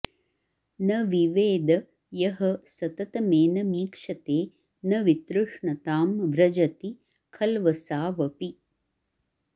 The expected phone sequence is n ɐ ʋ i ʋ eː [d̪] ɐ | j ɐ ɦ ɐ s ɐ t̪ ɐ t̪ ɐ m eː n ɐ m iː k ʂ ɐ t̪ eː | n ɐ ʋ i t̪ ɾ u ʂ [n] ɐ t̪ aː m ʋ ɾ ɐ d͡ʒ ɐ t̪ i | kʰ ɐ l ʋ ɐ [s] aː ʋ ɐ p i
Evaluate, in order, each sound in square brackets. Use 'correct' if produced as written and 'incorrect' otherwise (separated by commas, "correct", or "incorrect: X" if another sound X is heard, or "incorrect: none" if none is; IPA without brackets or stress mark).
correct, incorrect: ɳ, correct